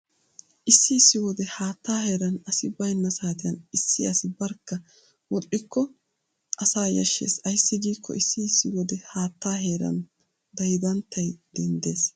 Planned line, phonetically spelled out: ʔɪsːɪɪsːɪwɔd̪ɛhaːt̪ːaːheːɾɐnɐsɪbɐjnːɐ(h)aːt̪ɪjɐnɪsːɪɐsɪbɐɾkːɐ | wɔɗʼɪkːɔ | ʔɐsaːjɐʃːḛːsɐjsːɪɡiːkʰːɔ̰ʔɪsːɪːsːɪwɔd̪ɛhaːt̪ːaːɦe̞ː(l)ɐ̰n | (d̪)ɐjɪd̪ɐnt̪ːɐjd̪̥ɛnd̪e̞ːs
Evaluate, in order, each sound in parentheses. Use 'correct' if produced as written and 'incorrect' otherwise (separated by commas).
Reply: incorrect, incorrect, correct